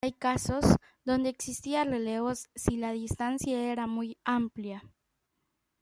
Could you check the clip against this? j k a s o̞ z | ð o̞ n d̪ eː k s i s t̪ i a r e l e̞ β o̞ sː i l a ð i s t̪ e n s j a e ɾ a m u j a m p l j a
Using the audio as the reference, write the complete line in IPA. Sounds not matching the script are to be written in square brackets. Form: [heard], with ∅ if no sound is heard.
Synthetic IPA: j k a s o̞ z | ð o̞ n d̪ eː k s i s t̪ i a r e l e̞ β o̞ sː i l a ð i s t̪ [a] n s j a e ɾ a m u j a m p l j a